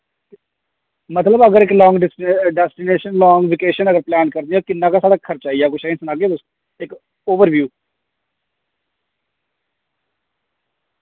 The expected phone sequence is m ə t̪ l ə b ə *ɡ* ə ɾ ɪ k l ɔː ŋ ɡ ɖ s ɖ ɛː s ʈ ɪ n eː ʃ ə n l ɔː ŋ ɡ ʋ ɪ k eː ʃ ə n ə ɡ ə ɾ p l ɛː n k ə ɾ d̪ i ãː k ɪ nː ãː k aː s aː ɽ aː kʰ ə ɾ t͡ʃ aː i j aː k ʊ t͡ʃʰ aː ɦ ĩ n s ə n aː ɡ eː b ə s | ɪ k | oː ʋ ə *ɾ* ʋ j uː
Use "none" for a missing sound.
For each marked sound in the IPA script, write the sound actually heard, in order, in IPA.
ɡ, ɾ

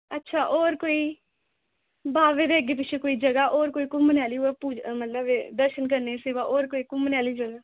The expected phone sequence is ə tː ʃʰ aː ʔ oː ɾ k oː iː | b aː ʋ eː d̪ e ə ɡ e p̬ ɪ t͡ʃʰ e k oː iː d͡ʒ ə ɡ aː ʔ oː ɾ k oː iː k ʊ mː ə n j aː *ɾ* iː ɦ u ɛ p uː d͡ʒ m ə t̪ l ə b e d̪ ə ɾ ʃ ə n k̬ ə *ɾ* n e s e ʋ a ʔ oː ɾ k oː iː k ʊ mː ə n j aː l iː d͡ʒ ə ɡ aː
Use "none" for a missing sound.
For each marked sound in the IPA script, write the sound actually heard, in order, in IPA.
l, ɾ

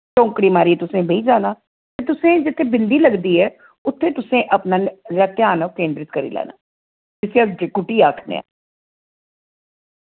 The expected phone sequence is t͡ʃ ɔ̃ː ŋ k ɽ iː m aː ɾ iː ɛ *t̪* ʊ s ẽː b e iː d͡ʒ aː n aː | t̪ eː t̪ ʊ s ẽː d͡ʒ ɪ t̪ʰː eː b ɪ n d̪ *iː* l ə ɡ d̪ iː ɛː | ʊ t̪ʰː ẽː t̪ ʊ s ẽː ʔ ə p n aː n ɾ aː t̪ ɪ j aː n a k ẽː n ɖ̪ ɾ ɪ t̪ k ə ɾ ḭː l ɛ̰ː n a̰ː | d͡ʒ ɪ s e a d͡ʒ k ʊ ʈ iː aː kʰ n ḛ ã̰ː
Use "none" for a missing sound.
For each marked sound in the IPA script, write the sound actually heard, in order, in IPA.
t̪, iː

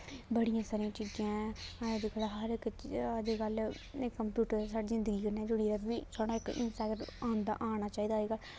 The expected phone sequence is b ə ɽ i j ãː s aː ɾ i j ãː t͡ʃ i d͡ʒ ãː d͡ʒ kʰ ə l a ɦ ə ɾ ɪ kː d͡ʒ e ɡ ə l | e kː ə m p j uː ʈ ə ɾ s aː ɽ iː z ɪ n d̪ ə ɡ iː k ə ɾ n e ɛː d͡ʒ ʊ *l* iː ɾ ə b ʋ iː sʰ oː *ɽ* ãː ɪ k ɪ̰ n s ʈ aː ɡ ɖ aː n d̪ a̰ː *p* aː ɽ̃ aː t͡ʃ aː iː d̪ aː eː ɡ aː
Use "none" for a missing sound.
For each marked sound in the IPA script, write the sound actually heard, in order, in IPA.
ɽ, ɽ, ʔ

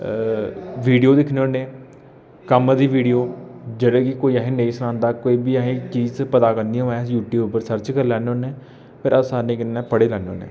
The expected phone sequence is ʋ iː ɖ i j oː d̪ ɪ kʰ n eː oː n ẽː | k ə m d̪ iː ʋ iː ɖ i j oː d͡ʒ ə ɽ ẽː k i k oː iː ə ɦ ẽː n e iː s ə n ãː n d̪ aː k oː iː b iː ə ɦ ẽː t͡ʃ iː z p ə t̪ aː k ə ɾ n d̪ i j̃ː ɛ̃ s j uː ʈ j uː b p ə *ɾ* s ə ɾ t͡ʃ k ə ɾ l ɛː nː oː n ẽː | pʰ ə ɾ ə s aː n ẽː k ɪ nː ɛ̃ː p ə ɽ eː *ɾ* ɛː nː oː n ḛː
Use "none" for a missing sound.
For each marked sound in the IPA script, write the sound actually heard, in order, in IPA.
ɾ, l

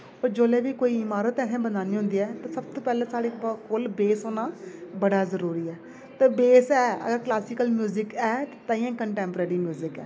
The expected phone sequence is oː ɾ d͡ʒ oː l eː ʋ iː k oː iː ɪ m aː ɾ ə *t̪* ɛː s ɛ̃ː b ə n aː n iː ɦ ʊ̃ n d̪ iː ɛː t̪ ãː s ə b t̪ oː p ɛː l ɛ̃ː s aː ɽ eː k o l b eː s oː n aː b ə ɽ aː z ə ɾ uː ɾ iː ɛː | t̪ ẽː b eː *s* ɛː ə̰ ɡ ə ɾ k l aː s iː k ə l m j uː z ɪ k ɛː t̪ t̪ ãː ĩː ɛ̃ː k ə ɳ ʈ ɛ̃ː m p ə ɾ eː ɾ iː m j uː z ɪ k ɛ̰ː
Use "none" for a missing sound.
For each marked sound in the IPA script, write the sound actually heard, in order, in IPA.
t̪, s

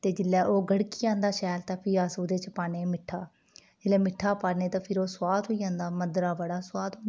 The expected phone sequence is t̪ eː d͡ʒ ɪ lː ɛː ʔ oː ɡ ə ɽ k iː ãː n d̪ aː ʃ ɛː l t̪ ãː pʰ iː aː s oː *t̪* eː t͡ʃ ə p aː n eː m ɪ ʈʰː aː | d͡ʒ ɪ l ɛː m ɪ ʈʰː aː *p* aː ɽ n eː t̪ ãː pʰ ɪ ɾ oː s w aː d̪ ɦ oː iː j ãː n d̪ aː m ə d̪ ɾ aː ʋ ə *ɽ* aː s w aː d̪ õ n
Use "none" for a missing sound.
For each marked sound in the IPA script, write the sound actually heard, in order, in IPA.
d̪, p, ɽ

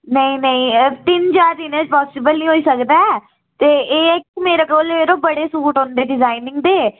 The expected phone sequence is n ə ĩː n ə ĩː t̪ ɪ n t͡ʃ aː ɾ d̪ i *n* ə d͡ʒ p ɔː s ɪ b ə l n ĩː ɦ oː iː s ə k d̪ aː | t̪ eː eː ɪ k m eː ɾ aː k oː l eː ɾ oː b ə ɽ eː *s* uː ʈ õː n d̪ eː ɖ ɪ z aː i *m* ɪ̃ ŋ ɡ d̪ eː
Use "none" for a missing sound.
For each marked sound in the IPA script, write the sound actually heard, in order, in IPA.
n, s, n

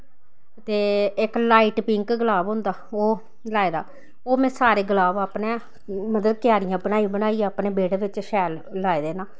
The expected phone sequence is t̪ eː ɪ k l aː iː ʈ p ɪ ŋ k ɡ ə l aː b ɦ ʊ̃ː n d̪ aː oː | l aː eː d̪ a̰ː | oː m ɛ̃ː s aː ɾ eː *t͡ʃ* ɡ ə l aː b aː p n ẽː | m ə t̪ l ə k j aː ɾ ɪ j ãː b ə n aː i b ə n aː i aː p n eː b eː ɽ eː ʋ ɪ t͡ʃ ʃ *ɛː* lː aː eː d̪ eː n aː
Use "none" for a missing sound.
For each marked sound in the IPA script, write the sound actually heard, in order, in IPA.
none, ɛː

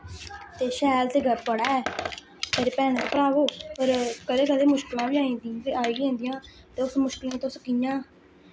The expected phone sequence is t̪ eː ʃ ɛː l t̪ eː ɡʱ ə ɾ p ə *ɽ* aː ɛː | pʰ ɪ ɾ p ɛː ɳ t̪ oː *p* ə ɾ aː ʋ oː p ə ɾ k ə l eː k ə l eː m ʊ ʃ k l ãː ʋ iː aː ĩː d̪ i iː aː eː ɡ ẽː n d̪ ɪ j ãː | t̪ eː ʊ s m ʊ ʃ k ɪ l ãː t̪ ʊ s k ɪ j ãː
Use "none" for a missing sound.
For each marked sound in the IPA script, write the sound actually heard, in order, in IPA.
ɽ, p

